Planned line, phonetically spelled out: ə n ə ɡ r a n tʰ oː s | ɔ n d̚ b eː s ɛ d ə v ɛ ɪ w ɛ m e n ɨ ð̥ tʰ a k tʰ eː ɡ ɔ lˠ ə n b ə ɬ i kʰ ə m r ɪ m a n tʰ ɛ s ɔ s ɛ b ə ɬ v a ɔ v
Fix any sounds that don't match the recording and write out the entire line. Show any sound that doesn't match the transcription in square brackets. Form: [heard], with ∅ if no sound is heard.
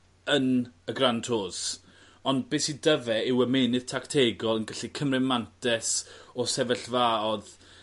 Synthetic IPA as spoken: ə n ə ɡ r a n tʰ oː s | ɔ n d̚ b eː s [i] d ə v ɛ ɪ w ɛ m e n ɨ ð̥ tʰ a k tʰ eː ɡ ɔ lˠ ə n [ɡ] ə ɬ i kʰ ə m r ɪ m a n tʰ ɛ s ɔ s ɛ [v] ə ɬ v a ɔ [ð]